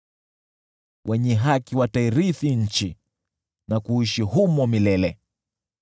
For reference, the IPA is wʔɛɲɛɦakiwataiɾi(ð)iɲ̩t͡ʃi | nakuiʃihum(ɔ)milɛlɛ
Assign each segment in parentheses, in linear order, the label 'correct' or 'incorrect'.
incorrect, correct

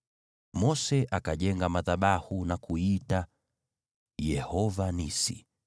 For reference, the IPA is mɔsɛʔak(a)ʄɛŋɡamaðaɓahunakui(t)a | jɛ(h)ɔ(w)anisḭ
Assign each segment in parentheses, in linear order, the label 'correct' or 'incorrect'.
correct, correct, correct, incorrect

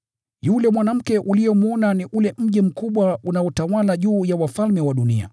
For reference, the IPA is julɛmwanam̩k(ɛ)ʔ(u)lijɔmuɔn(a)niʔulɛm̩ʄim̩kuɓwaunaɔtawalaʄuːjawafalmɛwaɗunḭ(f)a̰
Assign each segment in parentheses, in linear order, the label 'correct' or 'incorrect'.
correct, correct, correct, incorrect

